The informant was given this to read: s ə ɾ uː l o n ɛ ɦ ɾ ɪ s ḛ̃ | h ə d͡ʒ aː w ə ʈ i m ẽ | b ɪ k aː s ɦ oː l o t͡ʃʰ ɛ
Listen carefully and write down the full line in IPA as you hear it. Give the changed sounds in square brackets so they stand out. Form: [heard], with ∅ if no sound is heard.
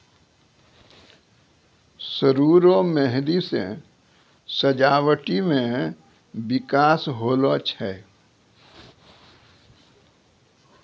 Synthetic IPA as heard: s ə ɾ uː [ɾ] o [m] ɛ ɦ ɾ [i] s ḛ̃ | [s] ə d͡ʒ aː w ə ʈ i m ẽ | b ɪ k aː s ɦ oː l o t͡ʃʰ ɛ